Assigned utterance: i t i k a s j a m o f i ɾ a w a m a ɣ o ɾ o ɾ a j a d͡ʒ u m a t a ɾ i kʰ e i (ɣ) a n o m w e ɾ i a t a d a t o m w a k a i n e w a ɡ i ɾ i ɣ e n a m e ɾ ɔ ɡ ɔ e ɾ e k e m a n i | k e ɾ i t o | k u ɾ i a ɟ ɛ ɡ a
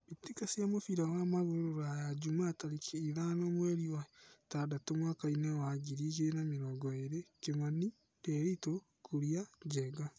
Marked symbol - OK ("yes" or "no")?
no